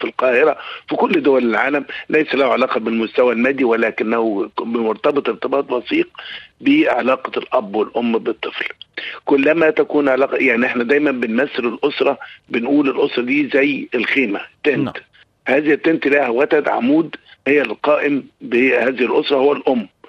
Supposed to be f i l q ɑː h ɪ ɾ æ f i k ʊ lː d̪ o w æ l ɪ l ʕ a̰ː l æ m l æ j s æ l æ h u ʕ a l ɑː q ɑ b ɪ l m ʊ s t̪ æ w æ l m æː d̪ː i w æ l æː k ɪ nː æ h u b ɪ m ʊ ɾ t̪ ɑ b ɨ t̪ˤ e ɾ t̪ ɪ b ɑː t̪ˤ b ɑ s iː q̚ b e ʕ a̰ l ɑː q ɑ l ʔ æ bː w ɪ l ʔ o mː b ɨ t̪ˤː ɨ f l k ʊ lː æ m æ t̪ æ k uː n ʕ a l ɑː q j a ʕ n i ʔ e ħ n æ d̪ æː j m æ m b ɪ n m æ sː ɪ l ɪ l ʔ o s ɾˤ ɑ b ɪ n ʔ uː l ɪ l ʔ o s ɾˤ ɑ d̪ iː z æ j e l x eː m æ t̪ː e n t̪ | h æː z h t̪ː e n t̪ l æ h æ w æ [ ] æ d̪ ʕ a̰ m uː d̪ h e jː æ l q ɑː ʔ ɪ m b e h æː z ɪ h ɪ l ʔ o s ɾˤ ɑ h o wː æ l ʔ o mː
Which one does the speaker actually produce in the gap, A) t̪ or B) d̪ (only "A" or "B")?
A